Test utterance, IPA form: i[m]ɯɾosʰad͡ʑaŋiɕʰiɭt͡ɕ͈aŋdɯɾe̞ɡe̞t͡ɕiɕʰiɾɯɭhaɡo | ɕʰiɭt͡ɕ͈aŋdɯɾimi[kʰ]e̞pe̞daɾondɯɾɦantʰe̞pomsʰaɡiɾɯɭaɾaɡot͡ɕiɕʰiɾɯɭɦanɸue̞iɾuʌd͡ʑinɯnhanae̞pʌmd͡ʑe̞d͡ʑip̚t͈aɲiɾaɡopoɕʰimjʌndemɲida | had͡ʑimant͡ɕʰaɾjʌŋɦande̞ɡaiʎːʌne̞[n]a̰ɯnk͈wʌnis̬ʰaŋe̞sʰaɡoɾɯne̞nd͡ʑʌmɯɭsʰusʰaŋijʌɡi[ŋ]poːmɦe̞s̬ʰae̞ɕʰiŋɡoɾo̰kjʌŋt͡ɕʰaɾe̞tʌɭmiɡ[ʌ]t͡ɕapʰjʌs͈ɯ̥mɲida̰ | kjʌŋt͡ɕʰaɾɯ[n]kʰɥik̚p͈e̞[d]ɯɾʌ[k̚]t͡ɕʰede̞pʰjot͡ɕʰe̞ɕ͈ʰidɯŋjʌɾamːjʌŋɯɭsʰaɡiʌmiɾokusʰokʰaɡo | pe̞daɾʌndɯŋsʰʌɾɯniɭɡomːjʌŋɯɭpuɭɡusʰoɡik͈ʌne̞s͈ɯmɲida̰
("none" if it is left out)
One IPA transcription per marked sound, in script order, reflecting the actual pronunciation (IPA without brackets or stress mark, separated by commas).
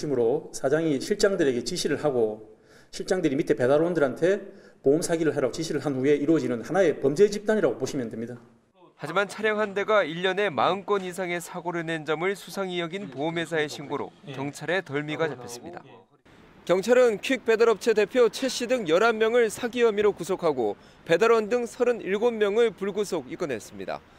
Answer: m, tʰ, m, n, a, n, d, p̚